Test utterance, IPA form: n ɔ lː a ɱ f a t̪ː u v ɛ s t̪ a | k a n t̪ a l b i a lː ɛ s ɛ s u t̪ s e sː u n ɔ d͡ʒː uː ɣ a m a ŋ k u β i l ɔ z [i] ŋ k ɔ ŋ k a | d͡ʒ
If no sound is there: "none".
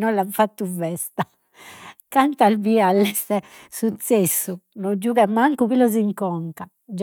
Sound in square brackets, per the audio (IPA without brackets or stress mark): i